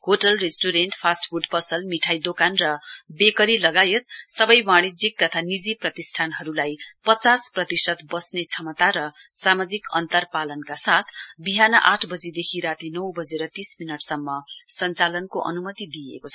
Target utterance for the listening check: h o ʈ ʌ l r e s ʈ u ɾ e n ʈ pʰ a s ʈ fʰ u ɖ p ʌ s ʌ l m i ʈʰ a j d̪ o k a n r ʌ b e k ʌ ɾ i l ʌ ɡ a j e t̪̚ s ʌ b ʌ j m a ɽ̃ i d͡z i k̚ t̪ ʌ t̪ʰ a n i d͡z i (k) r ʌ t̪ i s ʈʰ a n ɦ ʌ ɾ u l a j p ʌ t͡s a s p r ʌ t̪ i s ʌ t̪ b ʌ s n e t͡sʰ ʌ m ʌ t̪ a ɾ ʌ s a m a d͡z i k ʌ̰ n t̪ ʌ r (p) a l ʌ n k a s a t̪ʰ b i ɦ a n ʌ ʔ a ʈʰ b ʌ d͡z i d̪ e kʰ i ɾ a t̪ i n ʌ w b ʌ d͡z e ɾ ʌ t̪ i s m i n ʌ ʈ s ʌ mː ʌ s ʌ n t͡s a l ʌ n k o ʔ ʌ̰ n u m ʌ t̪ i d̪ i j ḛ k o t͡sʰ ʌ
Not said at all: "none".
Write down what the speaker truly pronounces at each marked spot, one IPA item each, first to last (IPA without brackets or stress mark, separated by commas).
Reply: p, p